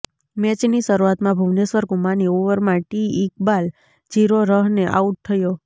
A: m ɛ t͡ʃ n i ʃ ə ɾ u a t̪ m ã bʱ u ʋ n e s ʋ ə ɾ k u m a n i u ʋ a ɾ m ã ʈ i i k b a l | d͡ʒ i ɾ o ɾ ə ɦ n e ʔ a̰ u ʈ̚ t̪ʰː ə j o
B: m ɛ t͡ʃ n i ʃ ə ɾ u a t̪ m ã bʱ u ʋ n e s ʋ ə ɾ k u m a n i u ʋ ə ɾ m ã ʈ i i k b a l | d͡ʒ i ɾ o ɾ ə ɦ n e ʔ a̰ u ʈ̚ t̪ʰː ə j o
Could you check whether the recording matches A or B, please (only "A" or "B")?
B